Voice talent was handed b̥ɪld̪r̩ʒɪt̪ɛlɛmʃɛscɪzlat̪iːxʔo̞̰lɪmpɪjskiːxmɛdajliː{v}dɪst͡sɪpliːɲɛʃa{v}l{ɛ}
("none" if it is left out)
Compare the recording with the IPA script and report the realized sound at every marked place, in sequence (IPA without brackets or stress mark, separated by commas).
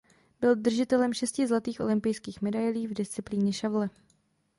v, v, ɛ